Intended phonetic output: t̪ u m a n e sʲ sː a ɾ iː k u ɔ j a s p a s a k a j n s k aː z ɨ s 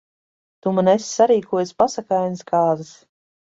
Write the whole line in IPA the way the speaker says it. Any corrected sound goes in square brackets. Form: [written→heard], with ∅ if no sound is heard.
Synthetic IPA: t̪ u m a n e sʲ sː a ɾ iː k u ɔ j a s p a s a k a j n s k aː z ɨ s